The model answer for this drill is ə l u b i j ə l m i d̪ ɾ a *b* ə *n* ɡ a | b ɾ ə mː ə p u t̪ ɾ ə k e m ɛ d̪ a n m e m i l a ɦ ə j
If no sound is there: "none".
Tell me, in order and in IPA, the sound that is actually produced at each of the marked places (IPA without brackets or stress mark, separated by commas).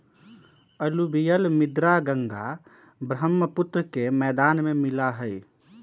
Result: ɡ, ŋ